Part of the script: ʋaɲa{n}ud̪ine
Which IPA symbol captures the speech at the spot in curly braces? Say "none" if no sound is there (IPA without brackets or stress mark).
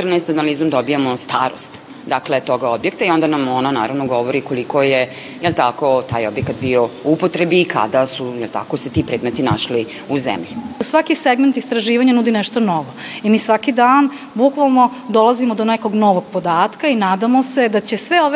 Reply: n